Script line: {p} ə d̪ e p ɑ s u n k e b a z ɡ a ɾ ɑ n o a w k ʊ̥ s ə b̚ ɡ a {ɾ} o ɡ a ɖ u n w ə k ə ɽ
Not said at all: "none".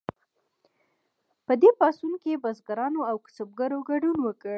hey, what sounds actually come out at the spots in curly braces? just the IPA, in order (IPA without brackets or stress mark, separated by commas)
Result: p, ɾ